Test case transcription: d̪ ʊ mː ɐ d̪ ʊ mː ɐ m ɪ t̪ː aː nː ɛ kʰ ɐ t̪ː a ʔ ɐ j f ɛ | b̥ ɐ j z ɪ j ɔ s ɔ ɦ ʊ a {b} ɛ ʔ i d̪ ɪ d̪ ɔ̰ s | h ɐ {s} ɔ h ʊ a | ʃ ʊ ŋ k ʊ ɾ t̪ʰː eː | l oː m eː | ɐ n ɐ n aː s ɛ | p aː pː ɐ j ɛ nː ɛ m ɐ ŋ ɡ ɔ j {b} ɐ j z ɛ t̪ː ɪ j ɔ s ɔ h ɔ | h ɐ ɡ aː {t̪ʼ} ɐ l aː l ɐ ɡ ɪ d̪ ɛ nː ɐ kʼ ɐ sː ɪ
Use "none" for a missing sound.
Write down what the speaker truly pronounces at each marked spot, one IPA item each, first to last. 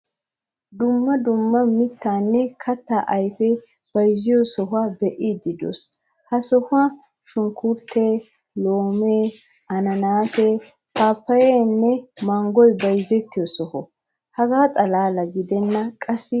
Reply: b, s, b, t̪ʼ

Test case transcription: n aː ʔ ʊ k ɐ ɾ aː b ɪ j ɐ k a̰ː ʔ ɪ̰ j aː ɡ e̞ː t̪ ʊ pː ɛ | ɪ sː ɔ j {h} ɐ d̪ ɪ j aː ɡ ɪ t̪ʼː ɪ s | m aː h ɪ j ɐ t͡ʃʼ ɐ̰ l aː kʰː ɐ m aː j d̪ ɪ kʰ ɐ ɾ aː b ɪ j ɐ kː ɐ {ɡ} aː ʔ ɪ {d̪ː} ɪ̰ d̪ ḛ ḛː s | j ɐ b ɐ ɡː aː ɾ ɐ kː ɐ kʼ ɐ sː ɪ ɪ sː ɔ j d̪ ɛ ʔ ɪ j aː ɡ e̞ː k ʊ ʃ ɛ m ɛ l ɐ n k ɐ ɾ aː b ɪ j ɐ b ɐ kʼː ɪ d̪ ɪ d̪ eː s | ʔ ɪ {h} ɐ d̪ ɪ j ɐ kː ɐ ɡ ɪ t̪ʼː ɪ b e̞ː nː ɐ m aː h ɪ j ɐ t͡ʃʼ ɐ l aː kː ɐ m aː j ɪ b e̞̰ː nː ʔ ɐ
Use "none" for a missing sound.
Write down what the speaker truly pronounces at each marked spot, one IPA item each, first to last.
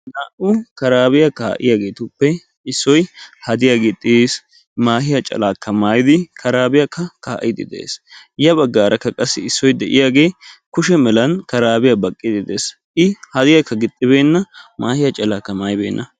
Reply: h, k, d̪, h

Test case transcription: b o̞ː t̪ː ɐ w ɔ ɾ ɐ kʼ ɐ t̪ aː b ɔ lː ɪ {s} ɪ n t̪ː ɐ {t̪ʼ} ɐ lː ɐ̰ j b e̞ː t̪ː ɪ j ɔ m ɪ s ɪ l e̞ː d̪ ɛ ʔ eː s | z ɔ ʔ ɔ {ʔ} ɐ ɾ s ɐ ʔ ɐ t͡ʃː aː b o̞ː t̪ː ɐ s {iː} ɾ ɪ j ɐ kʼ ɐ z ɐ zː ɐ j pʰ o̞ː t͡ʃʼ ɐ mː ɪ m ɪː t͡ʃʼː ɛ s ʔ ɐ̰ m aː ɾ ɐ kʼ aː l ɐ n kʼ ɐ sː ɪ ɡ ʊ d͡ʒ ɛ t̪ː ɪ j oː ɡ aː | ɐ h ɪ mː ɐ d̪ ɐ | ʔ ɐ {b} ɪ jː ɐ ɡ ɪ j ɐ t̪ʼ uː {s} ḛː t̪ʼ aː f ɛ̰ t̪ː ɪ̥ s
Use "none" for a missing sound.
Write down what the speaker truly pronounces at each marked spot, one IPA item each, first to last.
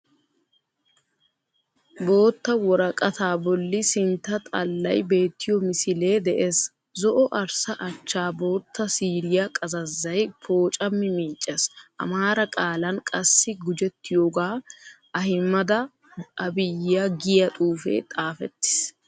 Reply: s, t̪ʼ, ʔ, iː, b, f

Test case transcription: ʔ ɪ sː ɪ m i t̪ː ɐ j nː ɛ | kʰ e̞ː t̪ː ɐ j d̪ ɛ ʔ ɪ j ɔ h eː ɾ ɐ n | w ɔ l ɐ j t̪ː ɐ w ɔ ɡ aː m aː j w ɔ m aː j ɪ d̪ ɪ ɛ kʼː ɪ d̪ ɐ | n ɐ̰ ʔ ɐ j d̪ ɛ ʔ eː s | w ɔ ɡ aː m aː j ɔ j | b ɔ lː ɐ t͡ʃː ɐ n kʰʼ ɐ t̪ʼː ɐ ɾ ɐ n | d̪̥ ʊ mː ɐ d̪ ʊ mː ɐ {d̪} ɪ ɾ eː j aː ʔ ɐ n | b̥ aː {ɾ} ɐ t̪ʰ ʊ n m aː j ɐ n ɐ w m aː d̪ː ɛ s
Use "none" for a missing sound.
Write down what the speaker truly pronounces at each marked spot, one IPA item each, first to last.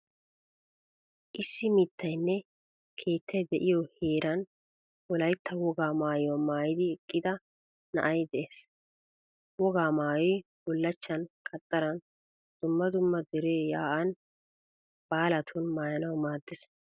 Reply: d̪, l

